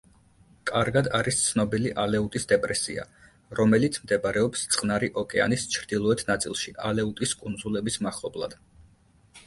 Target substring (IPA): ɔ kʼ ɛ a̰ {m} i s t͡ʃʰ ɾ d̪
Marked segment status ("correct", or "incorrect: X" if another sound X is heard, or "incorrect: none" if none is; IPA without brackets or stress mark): incorrect: n